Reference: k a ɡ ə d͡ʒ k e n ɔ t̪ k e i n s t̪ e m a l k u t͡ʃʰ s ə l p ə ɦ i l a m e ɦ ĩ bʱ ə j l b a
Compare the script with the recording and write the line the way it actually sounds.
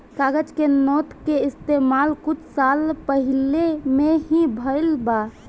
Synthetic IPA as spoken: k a ɡ ə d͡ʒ k e n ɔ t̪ k e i s t̪ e m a l k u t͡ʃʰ s a l p ə ɦ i l e m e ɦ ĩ bʱ ə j l b a